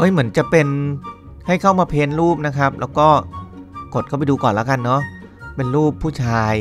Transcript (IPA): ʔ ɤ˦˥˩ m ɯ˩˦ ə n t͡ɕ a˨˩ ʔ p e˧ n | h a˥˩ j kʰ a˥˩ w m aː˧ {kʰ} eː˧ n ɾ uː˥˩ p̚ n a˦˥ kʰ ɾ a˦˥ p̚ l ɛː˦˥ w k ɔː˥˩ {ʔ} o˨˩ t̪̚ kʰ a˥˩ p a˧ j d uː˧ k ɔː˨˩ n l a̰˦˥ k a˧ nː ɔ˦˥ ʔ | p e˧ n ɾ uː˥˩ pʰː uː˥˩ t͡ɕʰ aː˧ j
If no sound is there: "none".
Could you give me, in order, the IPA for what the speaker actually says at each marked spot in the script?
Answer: pʰ, k

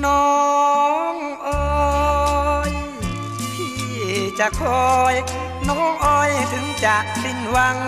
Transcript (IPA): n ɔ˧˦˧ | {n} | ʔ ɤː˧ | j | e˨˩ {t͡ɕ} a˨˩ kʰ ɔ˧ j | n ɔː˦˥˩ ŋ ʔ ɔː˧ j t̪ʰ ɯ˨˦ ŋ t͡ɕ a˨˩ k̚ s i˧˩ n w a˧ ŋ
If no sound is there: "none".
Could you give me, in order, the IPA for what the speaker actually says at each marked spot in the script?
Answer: ŋ, t͡ɕ

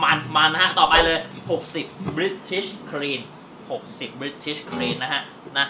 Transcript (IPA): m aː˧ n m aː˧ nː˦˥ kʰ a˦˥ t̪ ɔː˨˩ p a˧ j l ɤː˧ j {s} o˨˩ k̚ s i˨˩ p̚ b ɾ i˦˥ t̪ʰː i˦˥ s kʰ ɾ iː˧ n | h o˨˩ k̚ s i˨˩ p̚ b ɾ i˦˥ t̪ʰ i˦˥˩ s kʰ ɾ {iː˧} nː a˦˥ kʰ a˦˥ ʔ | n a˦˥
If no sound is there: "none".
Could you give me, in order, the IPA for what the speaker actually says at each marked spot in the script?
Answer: h, iː˧

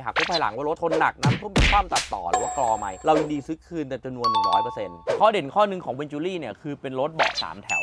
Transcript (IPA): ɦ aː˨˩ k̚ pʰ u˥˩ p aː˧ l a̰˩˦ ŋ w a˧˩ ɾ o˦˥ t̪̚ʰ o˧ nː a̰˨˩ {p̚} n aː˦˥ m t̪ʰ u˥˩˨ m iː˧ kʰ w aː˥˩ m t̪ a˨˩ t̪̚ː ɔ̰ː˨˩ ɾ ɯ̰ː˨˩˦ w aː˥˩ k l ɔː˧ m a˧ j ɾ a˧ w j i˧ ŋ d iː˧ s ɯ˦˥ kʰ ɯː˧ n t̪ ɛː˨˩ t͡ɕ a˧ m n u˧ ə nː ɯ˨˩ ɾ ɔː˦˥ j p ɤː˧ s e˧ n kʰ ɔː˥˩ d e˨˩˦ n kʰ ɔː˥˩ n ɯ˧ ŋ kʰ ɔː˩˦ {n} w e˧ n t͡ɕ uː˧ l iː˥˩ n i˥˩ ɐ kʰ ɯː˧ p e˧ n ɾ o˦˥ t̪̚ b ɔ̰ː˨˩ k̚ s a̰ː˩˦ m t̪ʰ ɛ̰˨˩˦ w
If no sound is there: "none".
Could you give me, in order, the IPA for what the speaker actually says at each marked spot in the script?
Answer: k̚, ŋ

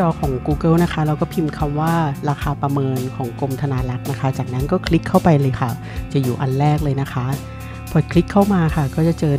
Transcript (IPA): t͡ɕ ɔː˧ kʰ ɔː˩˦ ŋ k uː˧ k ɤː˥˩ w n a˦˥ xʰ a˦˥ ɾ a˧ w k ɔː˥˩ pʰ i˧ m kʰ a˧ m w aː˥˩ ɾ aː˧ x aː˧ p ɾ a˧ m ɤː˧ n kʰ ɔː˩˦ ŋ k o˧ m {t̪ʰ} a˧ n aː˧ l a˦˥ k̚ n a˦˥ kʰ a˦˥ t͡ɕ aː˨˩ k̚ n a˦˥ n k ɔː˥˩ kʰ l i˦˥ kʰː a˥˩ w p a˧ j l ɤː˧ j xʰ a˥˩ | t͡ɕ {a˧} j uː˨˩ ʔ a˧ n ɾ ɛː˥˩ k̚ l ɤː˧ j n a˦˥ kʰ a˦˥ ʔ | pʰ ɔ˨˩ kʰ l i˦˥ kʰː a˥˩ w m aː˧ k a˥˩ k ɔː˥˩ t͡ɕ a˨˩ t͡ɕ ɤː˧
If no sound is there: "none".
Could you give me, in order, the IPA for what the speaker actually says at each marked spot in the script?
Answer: t̪ʰ, a˨˩

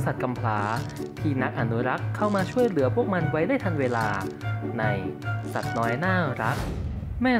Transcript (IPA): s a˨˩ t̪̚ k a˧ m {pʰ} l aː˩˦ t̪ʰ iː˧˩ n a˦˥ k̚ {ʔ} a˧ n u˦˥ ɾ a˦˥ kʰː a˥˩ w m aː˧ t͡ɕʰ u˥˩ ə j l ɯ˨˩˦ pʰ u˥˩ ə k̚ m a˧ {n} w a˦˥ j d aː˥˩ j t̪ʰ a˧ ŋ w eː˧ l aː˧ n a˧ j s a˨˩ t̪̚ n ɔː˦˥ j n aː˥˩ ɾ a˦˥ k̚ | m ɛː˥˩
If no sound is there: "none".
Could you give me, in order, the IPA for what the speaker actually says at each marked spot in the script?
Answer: pʰ, ʔ, n

